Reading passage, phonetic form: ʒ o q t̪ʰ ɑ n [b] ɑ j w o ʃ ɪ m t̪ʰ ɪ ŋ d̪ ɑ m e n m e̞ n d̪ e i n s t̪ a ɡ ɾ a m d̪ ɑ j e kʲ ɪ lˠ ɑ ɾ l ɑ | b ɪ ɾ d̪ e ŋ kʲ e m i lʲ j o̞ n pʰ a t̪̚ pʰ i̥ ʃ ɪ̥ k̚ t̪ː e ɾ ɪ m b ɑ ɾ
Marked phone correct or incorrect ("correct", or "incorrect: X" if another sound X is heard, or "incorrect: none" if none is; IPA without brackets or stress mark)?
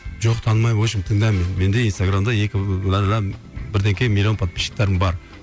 incorrect: m